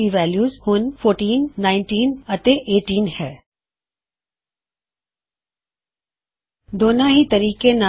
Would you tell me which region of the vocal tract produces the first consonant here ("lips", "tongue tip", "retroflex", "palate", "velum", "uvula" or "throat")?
lips